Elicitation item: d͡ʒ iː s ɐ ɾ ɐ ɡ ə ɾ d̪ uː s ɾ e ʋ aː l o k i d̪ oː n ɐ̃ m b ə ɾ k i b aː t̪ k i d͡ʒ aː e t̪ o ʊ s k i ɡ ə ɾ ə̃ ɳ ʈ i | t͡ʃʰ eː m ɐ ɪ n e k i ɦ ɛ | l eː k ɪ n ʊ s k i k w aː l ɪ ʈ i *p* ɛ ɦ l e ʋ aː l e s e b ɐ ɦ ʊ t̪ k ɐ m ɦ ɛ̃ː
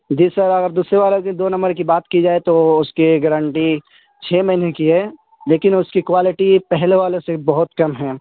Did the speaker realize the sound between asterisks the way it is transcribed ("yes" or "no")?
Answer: yes